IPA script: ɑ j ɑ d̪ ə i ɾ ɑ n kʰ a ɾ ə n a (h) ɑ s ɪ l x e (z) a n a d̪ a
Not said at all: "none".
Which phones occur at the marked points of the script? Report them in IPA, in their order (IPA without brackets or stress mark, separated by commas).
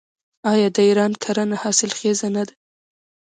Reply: h, z